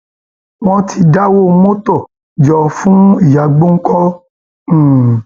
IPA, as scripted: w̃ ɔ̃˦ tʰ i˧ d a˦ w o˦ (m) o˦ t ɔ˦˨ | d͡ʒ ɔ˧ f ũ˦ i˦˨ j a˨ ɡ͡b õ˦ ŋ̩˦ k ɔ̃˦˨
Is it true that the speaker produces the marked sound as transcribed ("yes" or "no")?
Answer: yes